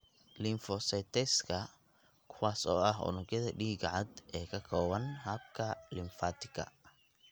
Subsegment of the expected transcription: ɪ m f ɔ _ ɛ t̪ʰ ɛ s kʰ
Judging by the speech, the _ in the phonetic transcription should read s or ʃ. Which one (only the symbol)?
s